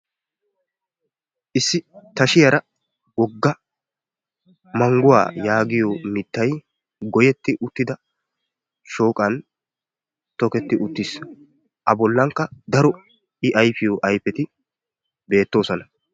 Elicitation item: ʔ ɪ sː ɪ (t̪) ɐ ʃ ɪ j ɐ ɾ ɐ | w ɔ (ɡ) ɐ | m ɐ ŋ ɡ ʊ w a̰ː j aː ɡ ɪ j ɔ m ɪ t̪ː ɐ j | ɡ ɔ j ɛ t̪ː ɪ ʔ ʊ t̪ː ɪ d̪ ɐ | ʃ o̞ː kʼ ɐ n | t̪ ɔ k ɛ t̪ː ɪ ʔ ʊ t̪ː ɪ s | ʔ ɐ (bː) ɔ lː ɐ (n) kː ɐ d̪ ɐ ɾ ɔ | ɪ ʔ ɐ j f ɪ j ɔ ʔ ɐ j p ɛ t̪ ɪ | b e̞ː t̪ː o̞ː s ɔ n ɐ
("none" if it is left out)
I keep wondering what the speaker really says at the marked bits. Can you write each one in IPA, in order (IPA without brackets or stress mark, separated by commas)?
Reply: t̪, ɡː, b, ŋ